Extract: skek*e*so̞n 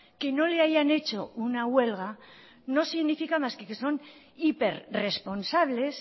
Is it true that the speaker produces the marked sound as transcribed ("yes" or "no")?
yes